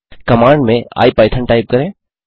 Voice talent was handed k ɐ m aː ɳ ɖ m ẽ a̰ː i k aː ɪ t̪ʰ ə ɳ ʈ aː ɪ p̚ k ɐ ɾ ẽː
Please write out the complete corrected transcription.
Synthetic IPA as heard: k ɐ m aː ɳ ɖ m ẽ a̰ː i p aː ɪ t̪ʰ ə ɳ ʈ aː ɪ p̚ k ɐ ɾ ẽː